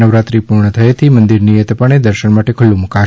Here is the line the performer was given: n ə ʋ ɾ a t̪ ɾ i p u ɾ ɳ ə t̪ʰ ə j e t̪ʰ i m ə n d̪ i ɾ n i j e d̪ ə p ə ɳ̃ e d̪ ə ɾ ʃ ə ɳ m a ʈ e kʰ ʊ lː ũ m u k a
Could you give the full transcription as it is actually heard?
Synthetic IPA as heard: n ə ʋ ɾ a t̪ ɾ i p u ɾ ɳ ə t̪ʰ ə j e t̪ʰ i m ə n d̪ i ɾ n i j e t̪ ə p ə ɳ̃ e d̪ ə ɾ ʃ ə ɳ m a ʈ e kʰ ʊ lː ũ m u k a